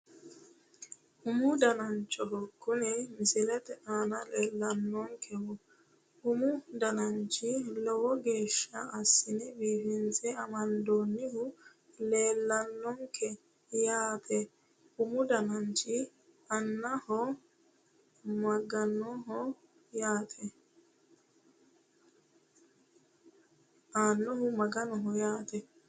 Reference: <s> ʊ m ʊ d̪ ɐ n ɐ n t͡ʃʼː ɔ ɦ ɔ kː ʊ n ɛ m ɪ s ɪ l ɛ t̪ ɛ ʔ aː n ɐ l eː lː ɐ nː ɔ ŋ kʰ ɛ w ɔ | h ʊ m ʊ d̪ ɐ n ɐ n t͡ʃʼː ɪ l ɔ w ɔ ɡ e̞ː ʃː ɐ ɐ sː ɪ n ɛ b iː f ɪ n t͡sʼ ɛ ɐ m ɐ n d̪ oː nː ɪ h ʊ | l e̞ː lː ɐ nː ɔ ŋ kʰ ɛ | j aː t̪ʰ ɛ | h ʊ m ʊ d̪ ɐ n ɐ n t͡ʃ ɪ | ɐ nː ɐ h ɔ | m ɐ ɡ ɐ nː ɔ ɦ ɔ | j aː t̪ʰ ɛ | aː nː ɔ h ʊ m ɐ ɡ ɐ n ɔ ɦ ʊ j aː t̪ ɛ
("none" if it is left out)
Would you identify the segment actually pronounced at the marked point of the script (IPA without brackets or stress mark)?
h